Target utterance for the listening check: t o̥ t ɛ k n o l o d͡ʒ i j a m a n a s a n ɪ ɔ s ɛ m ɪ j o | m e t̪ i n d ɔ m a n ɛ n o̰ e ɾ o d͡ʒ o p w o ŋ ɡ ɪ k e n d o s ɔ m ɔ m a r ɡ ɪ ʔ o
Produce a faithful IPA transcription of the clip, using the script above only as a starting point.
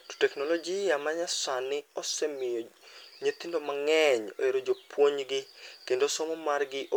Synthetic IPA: t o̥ t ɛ k n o l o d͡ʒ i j a m a ɲ a s a n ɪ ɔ s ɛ m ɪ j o | ɲ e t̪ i n d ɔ m a ŋ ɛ ɲ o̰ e ɾ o d͡ʒ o p w o ɲ ɡ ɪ k e n d o s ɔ m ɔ m a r ɡ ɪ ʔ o